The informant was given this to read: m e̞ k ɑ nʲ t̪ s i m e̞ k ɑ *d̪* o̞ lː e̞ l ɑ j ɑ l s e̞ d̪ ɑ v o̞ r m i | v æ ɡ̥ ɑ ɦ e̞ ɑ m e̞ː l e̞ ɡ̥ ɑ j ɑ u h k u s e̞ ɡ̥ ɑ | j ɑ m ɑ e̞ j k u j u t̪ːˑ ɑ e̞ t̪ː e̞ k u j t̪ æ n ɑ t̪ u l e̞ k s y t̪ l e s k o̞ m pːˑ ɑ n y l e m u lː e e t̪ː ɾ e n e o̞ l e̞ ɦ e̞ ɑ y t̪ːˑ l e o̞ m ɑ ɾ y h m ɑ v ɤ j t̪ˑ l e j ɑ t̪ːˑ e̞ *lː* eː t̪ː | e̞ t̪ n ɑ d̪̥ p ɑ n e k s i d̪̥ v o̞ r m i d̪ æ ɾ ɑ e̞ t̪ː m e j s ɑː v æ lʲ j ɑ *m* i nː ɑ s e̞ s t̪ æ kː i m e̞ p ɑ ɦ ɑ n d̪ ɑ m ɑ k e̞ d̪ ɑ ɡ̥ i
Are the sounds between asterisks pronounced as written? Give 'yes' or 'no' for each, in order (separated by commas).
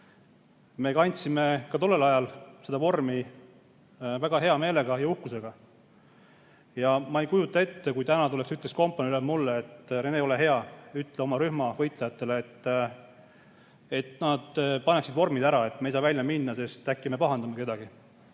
no, no, yes